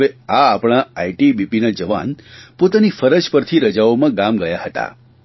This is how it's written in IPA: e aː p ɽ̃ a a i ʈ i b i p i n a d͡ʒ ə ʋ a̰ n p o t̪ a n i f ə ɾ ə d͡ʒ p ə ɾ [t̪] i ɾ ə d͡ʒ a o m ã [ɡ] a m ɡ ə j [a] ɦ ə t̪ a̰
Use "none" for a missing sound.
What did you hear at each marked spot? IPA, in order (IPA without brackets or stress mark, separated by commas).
t̪ʰ, ɡ, a